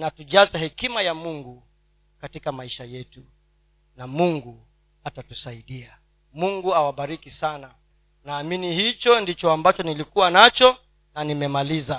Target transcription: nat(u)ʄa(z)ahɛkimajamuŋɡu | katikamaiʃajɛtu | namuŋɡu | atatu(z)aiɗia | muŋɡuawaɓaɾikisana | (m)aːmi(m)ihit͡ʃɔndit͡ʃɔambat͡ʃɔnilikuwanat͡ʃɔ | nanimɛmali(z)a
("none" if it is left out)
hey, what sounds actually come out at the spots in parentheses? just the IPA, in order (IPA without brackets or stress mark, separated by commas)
u, z, s, n, n, z